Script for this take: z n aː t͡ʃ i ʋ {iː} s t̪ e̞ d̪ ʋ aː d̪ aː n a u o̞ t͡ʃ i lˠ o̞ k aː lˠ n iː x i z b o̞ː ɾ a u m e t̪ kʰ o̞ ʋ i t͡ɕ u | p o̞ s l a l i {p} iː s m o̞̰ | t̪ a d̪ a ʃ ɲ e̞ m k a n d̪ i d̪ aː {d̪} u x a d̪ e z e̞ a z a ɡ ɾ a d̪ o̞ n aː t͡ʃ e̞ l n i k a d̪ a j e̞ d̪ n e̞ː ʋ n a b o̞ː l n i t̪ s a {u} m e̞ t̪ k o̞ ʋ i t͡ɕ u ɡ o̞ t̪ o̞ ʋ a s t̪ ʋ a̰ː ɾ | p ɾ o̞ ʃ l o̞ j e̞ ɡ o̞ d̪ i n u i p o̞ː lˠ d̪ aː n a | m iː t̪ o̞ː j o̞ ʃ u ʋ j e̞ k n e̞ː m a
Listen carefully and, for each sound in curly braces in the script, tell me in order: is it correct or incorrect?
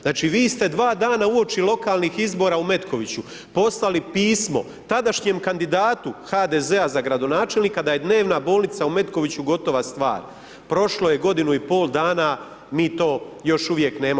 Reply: correct, correct, incorrect: t̪, correct

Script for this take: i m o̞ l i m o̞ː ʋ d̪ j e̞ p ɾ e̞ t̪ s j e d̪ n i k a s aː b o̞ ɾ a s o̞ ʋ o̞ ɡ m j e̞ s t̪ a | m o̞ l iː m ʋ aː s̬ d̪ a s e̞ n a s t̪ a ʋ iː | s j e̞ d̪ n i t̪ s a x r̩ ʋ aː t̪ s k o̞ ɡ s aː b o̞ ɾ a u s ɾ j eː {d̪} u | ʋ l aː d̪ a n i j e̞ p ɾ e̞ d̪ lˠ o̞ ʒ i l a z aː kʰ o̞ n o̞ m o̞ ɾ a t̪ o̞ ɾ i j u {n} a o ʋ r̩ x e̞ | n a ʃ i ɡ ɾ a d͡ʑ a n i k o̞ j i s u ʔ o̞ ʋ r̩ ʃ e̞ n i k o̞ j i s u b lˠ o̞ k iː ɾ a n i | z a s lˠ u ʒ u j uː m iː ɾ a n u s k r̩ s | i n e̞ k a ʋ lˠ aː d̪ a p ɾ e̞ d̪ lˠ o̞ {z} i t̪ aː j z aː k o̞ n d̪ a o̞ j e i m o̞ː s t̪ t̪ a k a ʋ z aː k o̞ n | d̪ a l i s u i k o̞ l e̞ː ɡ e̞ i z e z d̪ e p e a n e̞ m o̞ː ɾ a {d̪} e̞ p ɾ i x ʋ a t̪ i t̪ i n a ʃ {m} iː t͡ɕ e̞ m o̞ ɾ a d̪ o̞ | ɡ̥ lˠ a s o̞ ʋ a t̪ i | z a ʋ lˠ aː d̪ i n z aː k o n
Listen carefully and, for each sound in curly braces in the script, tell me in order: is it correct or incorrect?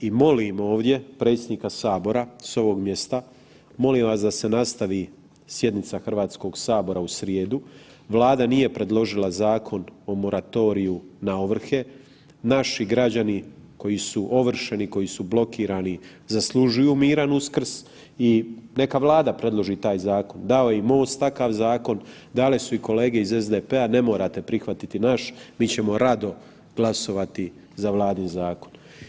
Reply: correct, correct, incorrect: ʒ, incorrect: t̪, correct

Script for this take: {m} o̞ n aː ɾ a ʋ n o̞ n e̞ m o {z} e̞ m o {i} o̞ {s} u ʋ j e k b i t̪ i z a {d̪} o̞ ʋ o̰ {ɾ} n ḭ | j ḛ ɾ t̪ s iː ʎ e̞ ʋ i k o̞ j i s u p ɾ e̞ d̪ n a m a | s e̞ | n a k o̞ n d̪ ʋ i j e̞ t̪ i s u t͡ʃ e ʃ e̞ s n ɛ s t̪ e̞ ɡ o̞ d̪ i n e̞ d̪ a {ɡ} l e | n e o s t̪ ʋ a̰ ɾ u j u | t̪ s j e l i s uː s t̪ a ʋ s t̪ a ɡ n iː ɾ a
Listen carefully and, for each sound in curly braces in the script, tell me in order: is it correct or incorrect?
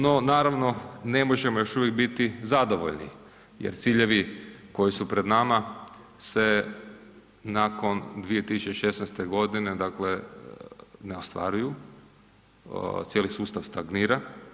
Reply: incorrect: n, incorrect: ʒ, incorrect: j, incorrect: ʃ, correct, incorrect: ʎ, incorrect: k

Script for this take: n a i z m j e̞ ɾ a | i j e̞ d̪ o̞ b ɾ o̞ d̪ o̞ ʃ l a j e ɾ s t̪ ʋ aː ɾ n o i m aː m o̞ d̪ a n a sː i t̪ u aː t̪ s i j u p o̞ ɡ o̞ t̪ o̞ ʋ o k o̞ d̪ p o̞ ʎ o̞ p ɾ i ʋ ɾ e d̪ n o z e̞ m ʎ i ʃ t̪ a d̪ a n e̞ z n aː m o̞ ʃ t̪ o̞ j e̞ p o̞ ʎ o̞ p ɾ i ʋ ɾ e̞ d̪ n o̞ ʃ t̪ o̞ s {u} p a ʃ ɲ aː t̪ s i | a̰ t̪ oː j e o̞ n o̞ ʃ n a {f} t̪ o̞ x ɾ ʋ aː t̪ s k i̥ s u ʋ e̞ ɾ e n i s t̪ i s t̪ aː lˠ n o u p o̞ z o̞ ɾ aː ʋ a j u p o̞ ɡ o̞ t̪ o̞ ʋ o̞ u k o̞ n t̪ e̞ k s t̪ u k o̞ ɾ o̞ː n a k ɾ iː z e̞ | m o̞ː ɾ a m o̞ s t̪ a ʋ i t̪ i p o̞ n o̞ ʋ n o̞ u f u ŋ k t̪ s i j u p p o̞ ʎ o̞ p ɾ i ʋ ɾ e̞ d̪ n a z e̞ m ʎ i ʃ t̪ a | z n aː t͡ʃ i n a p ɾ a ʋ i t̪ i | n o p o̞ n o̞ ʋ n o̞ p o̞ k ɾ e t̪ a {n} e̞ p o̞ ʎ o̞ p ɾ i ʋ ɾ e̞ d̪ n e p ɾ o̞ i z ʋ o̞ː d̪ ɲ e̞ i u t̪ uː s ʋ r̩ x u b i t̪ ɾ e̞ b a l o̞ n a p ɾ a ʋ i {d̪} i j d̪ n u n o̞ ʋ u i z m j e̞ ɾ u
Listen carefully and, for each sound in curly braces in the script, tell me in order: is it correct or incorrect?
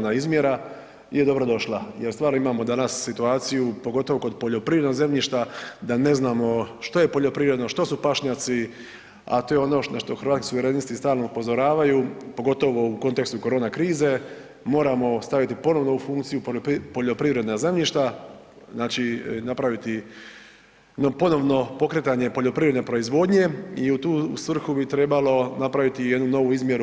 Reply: correct, incorrect: ʃ, incorrect: ɲ, incorrect: t̪

